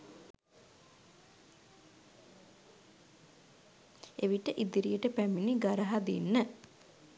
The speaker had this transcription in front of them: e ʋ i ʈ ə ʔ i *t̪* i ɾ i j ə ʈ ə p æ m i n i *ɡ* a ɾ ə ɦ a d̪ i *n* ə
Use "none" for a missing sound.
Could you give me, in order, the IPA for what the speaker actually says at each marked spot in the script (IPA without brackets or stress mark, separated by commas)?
d̪, ɡ, nː